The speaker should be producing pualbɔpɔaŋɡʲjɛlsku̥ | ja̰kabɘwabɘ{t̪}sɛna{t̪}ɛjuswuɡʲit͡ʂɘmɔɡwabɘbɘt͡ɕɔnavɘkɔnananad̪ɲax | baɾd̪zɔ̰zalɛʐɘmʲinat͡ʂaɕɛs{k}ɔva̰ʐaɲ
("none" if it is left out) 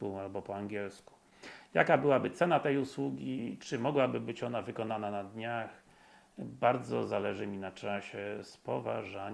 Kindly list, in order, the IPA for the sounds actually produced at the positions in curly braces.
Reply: t̪, t̪, p

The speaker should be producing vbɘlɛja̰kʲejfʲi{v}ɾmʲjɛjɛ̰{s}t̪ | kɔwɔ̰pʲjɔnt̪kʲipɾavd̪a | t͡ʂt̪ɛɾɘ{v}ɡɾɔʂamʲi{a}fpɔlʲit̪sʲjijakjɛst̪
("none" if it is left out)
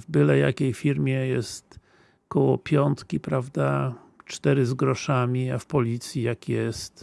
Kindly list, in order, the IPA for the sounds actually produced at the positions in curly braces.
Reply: none, s, z, a

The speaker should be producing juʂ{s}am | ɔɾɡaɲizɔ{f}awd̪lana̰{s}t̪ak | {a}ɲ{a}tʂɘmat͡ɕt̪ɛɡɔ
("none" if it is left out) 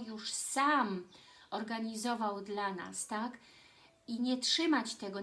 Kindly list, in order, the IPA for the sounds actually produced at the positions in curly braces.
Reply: s, v, s, i, ɛ

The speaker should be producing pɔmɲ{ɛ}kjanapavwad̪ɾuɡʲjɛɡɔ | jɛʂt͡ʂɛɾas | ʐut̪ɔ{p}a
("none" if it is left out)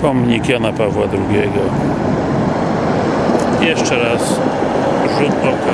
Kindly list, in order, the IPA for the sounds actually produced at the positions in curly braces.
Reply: i, k

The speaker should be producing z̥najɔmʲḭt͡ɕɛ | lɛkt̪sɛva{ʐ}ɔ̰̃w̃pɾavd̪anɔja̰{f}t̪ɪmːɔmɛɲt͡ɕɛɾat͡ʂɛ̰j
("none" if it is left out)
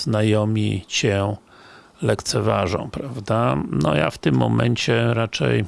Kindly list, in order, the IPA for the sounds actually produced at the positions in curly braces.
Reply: ʐ, f

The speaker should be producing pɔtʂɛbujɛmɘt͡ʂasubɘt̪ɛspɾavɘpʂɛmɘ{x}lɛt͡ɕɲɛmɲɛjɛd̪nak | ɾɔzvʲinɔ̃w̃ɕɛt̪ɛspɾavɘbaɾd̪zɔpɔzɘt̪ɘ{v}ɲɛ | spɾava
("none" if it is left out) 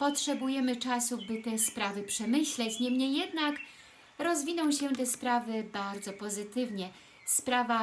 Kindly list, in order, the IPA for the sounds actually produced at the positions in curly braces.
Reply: ɕ, v

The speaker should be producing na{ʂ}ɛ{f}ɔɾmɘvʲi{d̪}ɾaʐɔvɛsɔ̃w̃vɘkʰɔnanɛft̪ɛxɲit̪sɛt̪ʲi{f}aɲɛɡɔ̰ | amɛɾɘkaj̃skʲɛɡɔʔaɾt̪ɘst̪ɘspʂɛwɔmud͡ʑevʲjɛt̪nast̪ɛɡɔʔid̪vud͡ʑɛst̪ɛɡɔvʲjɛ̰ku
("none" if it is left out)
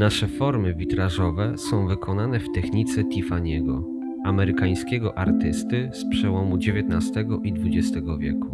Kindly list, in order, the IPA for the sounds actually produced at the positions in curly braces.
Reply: ʂ, f, t̪, f

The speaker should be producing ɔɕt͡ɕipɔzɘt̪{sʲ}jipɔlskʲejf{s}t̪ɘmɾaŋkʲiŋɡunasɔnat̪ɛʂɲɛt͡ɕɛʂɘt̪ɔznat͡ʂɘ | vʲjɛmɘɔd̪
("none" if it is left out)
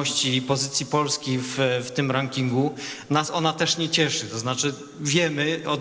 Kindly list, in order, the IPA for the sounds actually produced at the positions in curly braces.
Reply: sʲ, f

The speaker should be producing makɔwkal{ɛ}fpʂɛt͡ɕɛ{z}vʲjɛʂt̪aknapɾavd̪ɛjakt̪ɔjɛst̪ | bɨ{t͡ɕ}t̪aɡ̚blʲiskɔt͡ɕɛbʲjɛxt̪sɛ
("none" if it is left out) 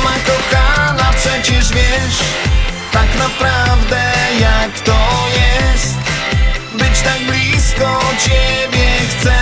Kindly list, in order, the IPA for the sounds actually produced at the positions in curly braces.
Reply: a, ʐ, t͡ɕ

